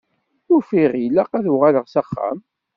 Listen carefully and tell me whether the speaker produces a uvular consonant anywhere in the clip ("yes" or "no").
yes